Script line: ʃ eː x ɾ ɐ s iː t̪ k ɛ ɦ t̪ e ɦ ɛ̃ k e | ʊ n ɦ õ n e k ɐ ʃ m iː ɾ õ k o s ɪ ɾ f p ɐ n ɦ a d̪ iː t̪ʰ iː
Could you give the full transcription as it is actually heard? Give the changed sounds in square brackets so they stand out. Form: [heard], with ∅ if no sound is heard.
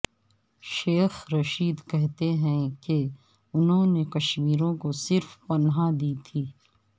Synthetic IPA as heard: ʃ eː x ɾ ɐ [ʃ] iː [d̪] k ɛ ɦ t̪ e ɦ ɛ̃ k e | ʊ n ɦ õ n e k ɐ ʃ m iː ɾ õ k o s ɪ ɾ f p ɐ n ɦ a d̪ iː t̪ʰ iː